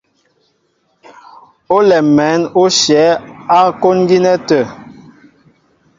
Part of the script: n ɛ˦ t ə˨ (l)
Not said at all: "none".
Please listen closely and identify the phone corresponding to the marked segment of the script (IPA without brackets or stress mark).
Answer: none